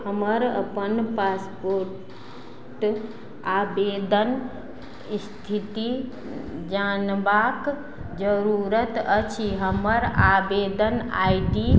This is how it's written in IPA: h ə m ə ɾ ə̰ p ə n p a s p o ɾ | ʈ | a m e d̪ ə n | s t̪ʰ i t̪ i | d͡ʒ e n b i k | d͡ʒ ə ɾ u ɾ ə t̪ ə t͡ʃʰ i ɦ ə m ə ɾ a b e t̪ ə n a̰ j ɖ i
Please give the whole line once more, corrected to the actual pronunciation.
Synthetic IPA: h ə m ə ɾ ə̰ p ə n p a s p o ɾ | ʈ | a b e d̪ ə n | s t̪ʰ i t̪ i | d͡ʒ a n b a k | d͡ʒ ə ɾ u ɾ ə t̪ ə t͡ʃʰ i ɦ ə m ə ɾ a b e d̪ ə n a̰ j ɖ i